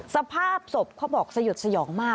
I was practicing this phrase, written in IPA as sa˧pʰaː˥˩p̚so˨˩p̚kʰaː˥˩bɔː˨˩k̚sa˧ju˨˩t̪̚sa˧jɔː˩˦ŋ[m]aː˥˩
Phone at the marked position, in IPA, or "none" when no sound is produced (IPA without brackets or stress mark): m